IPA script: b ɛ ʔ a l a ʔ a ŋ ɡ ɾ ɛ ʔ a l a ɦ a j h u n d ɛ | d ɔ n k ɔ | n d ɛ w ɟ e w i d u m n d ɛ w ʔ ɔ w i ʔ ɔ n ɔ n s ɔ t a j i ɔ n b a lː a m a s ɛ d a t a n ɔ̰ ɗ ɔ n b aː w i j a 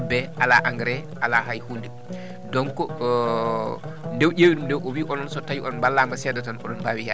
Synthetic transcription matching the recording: b ɛ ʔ a l a ʔ a ŋ ɡ ɾ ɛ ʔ a l a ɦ a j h u n d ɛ | d ɔ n k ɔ | n d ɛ w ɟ e w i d u m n d ɛ w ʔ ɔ w i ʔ ɔ n ɔ n s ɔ t a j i ɔ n b a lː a m a s ɛ d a t a n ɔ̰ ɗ ɔ n b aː w i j a

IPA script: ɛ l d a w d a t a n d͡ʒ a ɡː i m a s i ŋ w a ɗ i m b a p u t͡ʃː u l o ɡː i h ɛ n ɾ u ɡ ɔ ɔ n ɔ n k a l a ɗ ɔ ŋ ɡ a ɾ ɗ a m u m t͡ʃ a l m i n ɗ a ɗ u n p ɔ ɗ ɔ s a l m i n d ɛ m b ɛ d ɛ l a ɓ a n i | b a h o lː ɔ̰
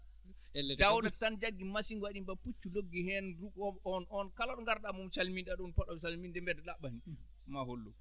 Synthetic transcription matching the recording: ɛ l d a w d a t a n d͡ʒ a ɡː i m a s i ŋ w a ɗ i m b a p u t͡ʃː u l o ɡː i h ɛ n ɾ u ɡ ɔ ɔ n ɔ n k a l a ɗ ɔ ŋ ɡ a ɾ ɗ a m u m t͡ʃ a l m i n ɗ a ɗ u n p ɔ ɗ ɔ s a l m i n d ɛ m b ɛ d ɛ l a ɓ a n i | m a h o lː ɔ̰

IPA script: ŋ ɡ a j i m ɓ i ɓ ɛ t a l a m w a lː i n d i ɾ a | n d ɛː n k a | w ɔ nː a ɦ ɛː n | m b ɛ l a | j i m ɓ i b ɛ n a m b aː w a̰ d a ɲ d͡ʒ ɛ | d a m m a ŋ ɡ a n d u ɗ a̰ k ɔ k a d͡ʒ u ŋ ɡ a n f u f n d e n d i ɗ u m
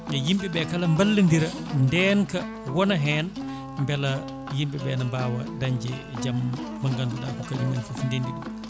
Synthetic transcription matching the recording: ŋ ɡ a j i m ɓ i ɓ ɛ k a l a m b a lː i n d i ɾ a | n d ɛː n k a | w ɔ n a ɦ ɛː n | m b ɛ l a | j i m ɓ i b ɛ n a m b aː w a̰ d a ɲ d͡ʒ ɛ | d͡ʒ a m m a ŋ ɡ a n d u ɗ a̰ k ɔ k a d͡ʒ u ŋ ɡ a n f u f n d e n d i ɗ u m

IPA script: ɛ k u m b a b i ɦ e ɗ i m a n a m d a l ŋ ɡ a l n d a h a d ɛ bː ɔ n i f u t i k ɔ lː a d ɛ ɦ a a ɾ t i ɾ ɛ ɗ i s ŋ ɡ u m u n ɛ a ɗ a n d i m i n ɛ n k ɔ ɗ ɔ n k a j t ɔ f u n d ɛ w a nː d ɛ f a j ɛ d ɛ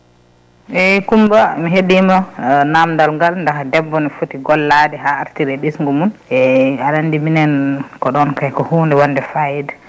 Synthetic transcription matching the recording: ɛ k u m b a m i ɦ e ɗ i m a n a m d a l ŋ ɡ a l n d a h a d ɛ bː ɔ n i f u t i ɡ ɔ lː a d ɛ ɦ a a ɾ t i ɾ ɛ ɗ i s ŋ ɡ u m u n ɛ a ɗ a n d i m i n ɛ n k ɔ ɗ ɔ n k a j k ɔ h u n d ɛ w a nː d ɛ f a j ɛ d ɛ

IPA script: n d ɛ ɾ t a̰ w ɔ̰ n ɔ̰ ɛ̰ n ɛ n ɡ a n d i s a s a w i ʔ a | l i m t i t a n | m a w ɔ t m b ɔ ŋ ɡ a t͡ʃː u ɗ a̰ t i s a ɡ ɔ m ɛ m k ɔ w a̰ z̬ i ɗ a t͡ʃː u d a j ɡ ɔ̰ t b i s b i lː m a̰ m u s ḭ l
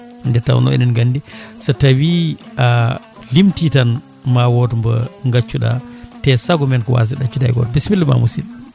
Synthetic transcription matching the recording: n d ɛ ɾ t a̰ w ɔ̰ n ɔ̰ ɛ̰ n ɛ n ɡ a n d i s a t a w i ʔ a | l i m t i t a n | m a w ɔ t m b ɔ ŋ ɡ a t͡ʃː u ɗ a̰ t ɛ s a ɡ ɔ m ɛ n k ɔ w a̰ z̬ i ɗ a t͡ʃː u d a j ɡ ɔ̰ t b i s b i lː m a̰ m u s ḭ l

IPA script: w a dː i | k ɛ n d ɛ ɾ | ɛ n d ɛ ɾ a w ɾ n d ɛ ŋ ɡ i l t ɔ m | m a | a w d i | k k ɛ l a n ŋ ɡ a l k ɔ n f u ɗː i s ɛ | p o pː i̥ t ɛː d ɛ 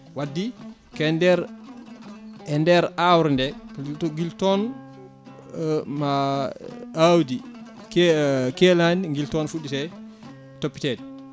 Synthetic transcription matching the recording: w a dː i | k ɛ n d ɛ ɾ | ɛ n d ɛ ɾ a w ɾ n d ɛ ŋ ɡ i l t ɔ n | m a | a w d i | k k ɛ l a n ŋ ɡ i l t ɔ n f u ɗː i s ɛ | t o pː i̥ t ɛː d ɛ

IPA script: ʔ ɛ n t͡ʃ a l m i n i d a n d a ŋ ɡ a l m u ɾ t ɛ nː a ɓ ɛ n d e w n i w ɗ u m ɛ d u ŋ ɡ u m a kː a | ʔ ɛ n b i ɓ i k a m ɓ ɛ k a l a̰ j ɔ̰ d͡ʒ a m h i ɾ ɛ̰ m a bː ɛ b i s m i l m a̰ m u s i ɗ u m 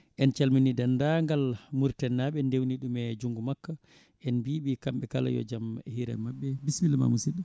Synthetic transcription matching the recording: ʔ ɛ n t͡ʃ a l m i n i d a n d a ŋ ɡ a l m u ɾ t ɛ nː a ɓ ɛ n d e w n i ɗ u m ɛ d͡ʒ u ŋ ɡ u m a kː a | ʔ ɛ n b i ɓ i k a m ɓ ɛ k a l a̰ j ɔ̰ d͡ʒ a m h i ɾ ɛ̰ m a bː ɛ b i s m i l m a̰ m u s i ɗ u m

